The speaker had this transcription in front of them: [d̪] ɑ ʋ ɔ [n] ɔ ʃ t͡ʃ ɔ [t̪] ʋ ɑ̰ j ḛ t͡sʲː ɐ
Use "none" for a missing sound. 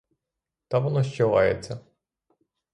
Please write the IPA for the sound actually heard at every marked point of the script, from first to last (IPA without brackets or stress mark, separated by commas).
t̪, n, none